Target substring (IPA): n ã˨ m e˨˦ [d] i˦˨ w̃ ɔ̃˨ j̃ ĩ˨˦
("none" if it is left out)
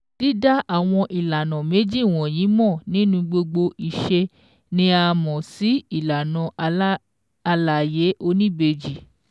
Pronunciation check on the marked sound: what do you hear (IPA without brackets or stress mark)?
d͡ʒ